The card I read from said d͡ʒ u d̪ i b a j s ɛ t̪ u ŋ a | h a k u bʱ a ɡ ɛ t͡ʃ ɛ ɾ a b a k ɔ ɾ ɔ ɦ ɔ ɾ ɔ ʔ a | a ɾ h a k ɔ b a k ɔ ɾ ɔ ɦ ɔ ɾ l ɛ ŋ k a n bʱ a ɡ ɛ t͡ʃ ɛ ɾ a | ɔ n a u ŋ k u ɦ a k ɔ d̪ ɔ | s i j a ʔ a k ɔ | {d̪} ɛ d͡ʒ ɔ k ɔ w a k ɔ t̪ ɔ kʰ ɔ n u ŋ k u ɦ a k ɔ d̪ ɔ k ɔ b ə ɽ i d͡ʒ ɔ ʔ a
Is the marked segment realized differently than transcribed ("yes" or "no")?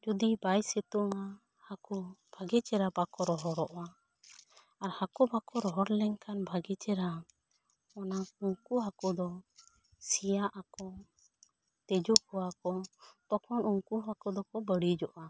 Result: yes